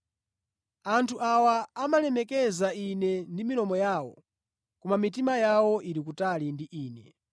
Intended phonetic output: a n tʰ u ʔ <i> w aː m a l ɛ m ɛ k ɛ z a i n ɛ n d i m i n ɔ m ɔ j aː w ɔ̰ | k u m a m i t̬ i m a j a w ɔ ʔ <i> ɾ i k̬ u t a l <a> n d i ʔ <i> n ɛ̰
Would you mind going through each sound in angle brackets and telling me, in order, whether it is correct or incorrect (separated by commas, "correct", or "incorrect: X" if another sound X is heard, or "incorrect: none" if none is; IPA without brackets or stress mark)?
incorrect: a, correct, incorrect: i, incorrect: iː